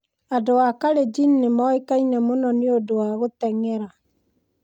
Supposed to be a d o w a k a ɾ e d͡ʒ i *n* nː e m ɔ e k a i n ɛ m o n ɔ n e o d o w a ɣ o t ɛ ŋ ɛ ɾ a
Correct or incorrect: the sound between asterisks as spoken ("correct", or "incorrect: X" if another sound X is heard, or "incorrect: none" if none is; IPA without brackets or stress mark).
correct